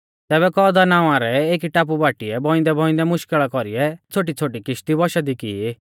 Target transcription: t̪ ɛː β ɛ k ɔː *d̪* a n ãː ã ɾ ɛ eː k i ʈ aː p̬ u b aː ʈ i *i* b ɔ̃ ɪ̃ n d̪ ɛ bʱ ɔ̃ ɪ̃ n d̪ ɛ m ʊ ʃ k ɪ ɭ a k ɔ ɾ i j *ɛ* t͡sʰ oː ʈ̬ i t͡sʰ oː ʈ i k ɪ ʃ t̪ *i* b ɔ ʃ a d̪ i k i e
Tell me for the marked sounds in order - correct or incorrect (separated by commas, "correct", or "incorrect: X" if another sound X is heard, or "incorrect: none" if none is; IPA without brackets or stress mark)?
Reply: correct, incorrect: ɛ, correct, correct